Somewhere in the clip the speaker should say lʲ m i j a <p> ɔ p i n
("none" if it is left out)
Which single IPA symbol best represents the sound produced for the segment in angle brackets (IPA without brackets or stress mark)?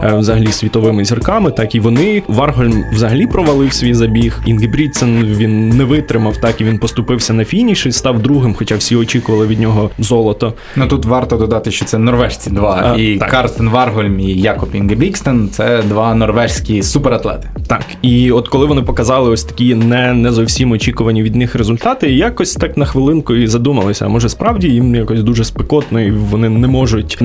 k